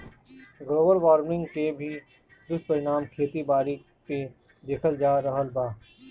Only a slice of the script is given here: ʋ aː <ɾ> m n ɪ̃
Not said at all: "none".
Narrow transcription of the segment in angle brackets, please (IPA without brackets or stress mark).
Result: ɾ